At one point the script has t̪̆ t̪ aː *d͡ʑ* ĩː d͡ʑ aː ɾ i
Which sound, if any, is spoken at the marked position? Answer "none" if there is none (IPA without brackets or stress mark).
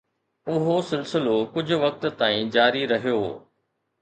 none